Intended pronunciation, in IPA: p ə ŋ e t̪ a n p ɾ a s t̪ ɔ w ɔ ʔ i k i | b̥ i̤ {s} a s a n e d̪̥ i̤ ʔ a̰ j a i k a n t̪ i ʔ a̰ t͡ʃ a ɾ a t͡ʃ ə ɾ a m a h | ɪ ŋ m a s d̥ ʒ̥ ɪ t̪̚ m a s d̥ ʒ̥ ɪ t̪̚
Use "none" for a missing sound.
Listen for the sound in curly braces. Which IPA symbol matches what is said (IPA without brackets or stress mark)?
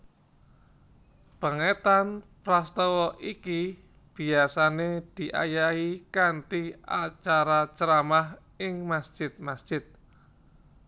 none